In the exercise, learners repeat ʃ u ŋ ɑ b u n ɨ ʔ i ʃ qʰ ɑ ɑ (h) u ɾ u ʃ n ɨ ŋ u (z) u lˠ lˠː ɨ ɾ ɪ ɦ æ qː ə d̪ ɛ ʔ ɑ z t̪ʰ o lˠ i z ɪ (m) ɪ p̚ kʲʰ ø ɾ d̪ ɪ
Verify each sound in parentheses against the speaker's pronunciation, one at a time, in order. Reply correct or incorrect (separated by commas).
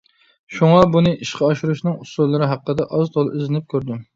incorrect, incorrect, incorrect